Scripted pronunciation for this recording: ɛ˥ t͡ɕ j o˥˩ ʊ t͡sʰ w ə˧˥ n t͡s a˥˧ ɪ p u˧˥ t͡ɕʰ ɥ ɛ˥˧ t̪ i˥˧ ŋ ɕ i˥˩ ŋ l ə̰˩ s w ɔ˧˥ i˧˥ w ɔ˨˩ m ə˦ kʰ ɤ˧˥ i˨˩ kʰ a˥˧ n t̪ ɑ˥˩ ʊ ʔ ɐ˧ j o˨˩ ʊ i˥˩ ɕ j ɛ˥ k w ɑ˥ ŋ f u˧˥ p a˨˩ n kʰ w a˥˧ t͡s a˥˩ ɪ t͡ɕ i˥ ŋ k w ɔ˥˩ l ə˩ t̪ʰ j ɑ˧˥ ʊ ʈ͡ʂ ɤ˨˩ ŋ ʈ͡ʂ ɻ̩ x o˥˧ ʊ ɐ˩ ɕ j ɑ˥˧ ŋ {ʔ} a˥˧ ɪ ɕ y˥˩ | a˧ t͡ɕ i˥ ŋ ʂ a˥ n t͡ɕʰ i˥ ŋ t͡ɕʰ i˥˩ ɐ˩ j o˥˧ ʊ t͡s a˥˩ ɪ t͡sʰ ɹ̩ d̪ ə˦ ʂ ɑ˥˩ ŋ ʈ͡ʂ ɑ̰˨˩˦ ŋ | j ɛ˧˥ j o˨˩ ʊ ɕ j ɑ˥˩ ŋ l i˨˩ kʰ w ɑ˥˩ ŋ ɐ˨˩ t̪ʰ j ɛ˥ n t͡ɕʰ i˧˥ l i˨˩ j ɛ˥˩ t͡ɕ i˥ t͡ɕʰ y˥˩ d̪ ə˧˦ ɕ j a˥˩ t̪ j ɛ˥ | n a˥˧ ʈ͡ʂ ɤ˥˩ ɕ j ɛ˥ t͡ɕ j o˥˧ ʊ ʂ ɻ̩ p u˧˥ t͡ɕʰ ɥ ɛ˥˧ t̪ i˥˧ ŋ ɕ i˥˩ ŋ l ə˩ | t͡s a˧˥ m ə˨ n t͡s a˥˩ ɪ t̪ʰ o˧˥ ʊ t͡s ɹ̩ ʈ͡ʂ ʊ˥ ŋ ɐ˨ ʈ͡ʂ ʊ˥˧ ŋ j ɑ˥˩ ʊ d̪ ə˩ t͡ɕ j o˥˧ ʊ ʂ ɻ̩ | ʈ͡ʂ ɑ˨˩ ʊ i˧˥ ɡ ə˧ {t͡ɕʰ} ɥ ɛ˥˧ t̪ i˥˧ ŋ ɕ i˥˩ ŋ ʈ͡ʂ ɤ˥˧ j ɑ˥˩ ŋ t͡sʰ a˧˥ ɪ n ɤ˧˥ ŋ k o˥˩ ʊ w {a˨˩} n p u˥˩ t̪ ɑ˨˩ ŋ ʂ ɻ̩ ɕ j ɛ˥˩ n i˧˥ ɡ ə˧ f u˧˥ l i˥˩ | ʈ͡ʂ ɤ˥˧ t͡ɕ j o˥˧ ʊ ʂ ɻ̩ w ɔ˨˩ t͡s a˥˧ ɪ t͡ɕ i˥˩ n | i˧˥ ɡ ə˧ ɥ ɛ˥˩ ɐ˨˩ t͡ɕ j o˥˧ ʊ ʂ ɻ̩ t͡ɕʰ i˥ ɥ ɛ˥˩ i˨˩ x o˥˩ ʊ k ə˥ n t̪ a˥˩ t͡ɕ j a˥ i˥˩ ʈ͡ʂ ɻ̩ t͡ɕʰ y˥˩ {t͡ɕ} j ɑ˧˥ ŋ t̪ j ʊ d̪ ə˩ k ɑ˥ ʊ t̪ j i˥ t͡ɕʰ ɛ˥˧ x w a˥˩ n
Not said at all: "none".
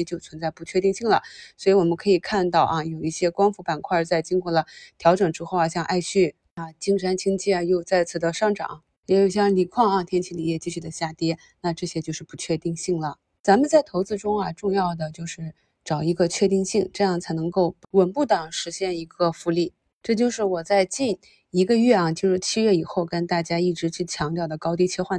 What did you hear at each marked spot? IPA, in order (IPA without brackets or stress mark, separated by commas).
ʔ, t͡ɕʰ, ə˨˩, t͡ɕʰ